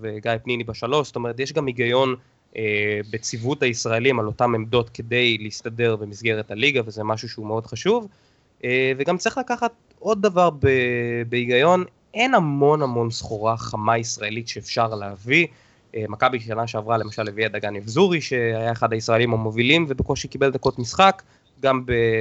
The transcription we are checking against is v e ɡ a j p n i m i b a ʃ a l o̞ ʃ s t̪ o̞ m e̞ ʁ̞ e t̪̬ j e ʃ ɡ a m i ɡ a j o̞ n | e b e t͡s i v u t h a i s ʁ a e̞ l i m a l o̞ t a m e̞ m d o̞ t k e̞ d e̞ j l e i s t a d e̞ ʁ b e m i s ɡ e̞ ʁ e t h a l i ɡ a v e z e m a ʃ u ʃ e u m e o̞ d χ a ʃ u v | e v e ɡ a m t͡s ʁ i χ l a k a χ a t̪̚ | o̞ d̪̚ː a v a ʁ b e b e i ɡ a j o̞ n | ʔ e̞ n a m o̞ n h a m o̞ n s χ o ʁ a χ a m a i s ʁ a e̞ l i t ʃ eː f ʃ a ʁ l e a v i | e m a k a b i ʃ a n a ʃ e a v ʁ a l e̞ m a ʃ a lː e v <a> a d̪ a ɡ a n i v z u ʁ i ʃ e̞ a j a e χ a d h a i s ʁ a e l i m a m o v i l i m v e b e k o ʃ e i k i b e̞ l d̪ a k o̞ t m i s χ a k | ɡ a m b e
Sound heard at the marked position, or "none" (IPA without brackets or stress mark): i